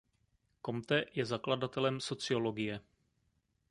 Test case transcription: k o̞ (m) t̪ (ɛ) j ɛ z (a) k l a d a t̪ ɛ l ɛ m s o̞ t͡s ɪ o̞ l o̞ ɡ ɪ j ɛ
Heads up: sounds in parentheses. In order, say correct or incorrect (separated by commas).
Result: correct, correct, correct